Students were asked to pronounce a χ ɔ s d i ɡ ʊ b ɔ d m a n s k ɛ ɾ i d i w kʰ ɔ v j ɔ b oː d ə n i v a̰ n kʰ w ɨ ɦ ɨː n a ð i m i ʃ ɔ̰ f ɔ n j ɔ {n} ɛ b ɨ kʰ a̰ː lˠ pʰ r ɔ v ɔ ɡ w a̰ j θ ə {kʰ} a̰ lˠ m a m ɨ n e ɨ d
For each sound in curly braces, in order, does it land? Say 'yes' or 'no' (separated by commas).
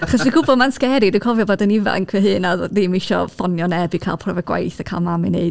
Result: yes, yes